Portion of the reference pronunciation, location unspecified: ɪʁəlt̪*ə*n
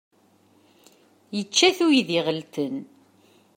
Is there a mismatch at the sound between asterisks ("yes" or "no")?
no